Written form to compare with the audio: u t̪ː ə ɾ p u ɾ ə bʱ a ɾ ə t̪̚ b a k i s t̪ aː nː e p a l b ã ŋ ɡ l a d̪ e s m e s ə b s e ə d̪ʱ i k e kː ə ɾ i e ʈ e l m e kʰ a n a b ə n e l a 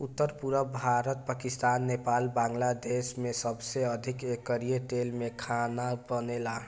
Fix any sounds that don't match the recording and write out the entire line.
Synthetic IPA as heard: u t̪ː ə ɾ p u ɾ ə bʱ a ɾ ə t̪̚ p a k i s t̪ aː nː e p a l b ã ŋ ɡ l a d̪ e s m e s ə b s e ə d̪ʱ i k e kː ə ɾ i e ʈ e l m e kʰ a n a b ə n e l a